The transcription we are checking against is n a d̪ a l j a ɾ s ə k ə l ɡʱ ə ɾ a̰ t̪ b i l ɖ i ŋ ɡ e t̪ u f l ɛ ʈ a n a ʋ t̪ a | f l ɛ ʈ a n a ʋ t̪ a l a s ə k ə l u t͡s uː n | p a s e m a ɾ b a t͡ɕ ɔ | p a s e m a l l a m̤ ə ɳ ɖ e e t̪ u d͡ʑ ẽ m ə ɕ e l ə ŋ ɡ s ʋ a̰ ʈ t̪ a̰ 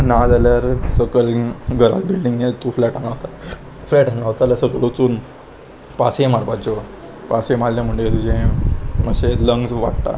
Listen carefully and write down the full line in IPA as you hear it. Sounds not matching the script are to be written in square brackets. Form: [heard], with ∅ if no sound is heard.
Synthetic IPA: n a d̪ a l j a ɾ s ə k ə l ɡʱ ə ɾ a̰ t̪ b i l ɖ i ŋ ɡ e t̪ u f l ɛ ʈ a n a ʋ t̪ a | f l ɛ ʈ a n a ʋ t̪ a l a s ə k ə l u t͡s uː n | p a s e m a ɾ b a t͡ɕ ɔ | p a s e m a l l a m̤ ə ɳ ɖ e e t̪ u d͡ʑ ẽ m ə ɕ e l ə ŋ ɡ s ʋ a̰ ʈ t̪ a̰

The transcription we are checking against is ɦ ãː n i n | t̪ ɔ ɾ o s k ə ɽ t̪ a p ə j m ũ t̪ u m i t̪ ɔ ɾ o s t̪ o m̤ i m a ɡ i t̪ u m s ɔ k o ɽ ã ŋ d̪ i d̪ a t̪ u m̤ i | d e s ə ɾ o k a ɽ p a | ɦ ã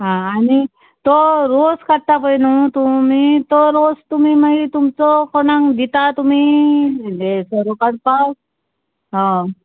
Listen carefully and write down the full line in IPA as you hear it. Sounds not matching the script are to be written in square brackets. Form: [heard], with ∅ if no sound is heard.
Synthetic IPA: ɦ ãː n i [∅] | t̪ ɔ ɾ o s k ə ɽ t̪ a p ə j [n] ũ t̪ u m i t̪ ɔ ɾ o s t̪ [u] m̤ i m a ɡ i t̪ u m [t͡s] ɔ k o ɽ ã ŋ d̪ i [t̪] a t̪ u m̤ i | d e s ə ɾ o k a ɽ p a | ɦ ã

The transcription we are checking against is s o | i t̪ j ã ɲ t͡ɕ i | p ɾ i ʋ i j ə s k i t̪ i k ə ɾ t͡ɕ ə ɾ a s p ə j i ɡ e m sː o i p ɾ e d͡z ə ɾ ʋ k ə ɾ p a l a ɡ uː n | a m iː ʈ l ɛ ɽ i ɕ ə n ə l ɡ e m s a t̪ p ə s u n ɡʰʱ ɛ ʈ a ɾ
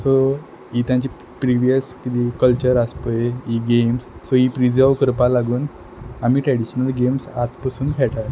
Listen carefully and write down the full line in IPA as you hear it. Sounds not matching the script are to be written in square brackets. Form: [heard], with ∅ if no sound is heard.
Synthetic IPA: s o | i t̪ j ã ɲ t͡ɕ i | p ɾ i ʋ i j ə s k i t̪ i k ə [l] t͡ɕ ə ɾ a s p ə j i ɡ e m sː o i p ɾ [i] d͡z ə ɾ ʋ k ə ɾ p a l a ɡ uː n | a m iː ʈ [ɾ] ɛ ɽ i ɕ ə n ə l ɡ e m s a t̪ p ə s [uː] n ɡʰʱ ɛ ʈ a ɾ

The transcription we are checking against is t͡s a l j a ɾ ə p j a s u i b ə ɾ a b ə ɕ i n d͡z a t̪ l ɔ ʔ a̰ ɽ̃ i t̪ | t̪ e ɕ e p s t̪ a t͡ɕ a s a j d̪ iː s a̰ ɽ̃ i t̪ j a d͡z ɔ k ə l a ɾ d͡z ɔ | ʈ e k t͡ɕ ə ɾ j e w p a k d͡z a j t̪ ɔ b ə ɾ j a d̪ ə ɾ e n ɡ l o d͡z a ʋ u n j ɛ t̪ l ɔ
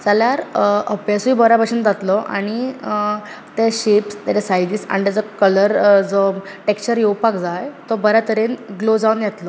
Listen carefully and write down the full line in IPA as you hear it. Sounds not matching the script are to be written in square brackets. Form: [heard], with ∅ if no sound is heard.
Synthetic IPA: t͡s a l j a ɾ ə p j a s u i b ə ɾ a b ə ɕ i n d͡z a t̪ l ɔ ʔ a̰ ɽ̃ i [∅] | t̪ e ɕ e p s t̪ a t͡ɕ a s a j d̪ iː s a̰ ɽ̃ i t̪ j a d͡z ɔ k ə l [ə] ɾ d͡z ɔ | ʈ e k t͡ɕ ə ɾ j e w p a k d͡z a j t̪ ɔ b ə ɾ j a [t̪] ə ɾ e n ɡ l o d͡z a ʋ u n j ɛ t̪ l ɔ

